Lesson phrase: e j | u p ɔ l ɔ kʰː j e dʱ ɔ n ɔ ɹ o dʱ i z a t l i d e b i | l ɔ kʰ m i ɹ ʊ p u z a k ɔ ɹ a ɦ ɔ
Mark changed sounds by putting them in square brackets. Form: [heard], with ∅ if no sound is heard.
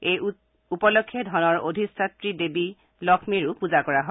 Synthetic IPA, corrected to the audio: e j | u p ɔ l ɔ kʰː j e dʱ ɔ n ɔ ɹ o dʱ i [s] a t [ɹ] i d e b i | l ɔ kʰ m i ɹ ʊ p u z a k ɔ ɹ a ɦ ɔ